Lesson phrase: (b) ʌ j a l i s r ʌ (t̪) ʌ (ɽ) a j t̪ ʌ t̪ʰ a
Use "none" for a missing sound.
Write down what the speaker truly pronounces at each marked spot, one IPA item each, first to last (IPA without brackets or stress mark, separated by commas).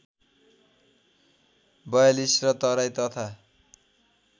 b, t̪, ɾ